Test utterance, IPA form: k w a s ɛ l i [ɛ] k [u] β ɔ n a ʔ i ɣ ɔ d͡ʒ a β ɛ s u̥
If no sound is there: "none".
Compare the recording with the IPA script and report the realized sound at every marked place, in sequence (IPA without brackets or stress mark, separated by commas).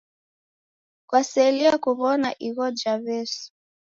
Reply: a, u